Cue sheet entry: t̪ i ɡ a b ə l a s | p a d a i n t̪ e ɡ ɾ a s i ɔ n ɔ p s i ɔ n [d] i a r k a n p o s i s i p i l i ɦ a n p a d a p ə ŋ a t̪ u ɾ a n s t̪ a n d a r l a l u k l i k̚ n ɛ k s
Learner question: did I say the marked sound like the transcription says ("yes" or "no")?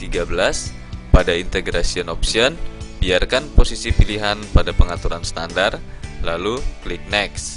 no